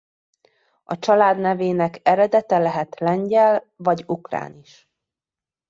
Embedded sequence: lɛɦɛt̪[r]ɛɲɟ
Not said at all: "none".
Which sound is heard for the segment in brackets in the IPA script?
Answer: l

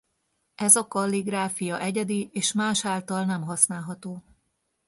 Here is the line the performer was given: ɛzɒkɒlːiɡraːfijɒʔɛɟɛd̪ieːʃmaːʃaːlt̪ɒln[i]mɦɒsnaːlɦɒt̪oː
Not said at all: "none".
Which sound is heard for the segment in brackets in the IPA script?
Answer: ɛ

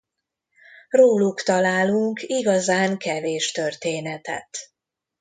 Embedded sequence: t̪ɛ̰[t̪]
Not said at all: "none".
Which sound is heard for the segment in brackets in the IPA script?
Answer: t̪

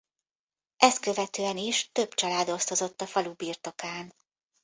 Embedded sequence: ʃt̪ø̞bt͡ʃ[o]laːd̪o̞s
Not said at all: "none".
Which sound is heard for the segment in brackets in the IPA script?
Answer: ɒ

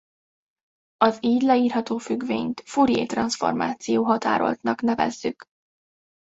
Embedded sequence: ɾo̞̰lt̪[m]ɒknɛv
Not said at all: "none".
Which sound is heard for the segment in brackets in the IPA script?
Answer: n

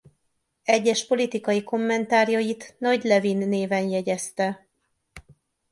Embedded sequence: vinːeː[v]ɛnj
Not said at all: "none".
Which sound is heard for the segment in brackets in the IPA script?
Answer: v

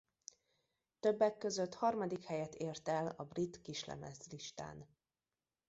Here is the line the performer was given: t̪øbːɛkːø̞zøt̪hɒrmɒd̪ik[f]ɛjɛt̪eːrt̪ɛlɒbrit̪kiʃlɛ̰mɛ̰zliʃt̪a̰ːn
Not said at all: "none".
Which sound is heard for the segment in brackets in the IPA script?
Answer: h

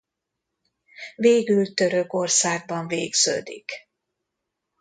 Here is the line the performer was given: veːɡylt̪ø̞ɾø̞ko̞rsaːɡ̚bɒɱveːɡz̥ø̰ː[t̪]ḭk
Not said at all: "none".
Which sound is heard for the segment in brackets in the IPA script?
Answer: d̪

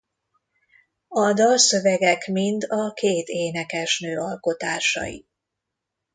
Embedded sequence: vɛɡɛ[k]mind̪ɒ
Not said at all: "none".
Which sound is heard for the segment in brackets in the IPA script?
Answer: k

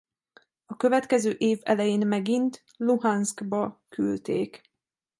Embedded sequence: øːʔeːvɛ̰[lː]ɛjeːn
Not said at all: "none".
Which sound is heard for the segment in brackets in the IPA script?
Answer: l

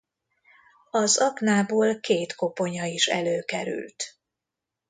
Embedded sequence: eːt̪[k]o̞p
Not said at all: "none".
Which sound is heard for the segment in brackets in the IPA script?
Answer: k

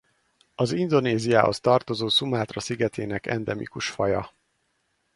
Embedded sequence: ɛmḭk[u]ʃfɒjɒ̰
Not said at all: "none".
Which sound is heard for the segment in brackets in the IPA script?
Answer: u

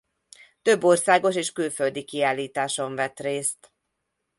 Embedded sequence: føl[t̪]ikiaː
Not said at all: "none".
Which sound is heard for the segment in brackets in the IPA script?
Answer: d̪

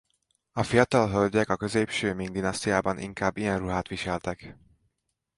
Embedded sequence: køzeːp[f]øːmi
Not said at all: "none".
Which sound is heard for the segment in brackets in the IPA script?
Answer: ʃ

